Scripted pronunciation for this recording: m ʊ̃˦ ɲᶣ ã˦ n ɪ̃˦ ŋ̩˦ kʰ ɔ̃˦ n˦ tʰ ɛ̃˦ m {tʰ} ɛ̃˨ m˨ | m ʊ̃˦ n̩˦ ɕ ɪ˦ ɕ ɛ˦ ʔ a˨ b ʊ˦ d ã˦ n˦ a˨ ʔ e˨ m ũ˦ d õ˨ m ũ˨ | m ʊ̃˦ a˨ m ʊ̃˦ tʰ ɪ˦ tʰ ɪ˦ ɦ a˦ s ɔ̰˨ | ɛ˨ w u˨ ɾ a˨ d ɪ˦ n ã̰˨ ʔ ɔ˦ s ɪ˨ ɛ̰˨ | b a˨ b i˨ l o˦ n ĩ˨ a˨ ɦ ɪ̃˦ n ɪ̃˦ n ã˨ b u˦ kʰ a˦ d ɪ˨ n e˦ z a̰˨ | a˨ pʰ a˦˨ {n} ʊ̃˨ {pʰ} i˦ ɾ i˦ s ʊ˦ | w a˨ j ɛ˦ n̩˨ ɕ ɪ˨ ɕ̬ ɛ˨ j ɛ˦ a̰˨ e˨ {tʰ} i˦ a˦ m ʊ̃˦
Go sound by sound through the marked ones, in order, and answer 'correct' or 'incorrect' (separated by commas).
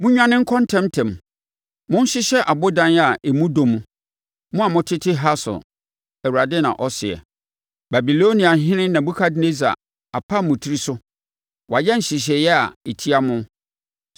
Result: correct, incorrect, incorrect, correct